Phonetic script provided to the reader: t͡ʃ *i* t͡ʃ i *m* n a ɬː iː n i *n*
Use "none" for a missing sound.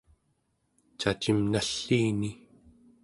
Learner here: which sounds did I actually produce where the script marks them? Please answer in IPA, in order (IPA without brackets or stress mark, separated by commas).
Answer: a, m, none